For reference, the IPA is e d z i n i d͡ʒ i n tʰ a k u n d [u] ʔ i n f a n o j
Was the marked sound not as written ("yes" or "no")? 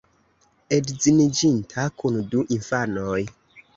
no